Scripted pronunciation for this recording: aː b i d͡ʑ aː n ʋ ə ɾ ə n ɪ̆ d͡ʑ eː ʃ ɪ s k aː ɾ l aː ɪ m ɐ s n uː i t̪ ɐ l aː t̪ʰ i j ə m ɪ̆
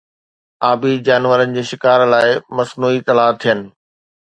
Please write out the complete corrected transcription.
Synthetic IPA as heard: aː b i d͡ʑ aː n ʋ ə ɾ ə n ɪ̆ d͡ʑ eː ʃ ɪ k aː ɾ l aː ɪ m ɐ s n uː i t̪ ɐ l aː t̪ʰ i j ə n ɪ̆